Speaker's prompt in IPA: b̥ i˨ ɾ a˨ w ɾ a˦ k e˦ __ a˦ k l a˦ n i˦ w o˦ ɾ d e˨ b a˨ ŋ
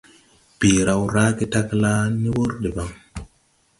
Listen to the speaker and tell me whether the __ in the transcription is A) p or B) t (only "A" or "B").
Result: B